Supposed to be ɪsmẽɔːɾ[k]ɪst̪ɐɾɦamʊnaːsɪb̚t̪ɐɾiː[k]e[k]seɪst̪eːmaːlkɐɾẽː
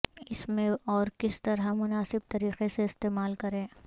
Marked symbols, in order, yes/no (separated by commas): yes, no, no